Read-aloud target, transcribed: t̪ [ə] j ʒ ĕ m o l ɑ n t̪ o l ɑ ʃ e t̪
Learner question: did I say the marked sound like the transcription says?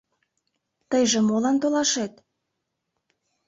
yes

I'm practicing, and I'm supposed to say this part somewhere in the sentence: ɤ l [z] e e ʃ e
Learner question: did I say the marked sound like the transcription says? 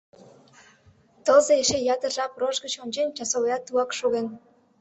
yes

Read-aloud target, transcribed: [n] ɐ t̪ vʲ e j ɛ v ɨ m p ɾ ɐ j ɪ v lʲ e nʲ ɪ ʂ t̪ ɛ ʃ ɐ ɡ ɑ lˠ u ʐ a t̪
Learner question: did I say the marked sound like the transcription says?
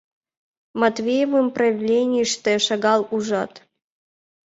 no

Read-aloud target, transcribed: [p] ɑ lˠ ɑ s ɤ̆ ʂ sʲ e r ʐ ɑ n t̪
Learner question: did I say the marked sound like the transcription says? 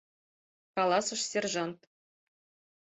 no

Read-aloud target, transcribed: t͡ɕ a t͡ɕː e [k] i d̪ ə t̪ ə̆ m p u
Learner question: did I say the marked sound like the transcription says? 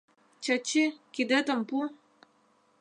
yes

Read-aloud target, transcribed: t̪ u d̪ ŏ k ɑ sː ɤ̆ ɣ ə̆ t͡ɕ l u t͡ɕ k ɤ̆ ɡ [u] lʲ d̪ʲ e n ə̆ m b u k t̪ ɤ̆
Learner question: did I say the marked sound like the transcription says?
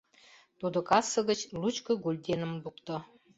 yes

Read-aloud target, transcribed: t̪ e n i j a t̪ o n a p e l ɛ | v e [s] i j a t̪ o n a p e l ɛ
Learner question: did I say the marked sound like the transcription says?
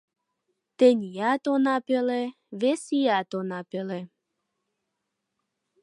yes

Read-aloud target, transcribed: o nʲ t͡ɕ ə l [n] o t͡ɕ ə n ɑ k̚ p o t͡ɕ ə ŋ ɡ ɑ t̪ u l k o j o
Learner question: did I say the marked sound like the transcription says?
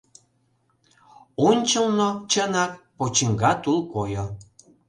yes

